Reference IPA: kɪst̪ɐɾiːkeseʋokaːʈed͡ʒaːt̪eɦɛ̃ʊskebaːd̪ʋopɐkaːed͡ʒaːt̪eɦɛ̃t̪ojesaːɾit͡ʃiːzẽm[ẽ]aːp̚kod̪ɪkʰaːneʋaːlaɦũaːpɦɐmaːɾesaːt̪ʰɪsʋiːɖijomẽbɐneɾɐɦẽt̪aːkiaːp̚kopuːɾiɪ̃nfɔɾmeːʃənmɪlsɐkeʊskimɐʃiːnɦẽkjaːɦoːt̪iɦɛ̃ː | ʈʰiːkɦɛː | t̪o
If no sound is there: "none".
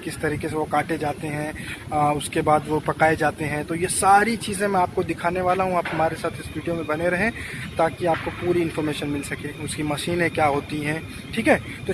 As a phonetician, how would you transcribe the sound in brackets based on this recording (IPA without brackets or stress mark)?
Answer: ɛ̃